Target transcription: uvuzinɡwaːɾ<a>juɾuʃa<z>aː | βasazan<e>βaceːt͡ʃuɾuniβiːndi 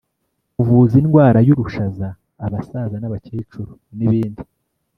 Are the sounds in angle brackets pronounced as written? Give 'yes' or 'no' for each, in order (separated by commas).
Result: yes, yes, no